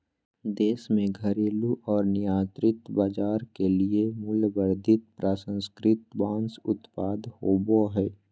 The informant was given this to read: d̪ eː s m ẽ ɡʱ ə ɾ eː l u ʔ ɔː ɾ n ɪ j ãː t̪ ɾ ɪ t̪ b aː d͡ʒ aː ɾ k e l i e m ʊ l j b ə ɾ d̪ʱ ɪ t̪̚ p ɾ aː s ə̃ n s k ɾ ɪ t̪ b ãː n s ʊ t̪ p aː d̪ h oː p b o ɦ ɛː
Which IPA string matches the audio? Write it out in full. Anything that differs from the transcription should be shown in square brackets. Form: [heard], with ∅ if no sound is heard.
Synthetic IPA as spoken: d̪ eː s m ẽ ɡʱ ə ɾ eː l u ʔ ɔː ɾ n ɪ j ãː t̪ ɾ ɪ t̪ b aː d͡ʒ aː ɾ k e l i e m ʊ l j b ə ɾ d̪ʱ ɪ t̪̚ p ɾ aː s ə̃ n s k ɾ ɪ t̪ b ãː n s ʊ t̪ p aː d̪ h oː [∅] b o ɦ ɛː